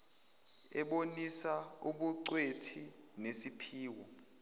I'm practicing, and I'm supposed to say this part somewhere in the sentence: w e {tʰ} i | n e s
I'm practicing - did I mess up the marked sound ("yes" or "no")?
no